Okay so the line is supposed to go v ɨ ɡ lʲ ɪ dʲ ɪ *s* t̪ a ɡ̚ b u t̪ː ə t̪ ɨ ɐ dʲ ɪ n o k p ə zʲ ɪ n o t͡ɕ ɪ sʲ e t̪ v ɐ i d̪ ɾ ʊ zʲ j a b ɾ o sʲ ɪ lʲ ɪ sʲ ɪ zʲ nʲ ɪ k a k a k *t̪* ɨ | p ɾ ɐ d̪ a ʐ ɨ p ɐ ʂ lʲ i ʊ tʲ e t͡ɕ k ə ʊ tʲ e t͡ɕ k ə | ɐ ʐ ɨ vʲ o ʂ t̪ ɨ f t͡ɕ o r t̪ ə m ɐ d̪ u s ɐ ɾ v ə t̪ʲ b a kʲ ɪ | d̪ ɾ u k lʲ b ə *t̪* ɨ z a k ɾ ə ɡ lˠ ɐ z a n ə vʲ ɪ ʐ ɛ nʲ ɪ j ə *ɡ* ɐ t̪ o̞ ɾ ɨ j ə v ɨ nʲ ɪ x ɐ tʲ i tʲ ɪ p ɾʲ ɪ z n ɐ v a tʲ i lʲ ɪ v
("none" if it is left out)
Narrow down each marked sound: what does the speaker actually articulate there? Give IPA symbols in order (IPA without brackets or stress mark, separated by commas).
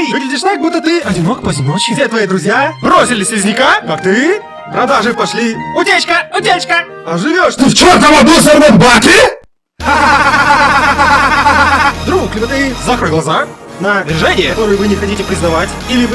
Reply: ʂ, t̪, t̪, k